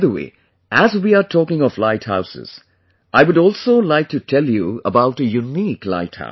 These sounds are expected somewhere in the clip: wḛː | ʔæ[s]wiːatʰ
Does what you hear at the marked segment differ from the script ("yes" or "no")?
yes